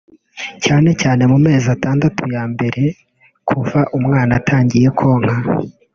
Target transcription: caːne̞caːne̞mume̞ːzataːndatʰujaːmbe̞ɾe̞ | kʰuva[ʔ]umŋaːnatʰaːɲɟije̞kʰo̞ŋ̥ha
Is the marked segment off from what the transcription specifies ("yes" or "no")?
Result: no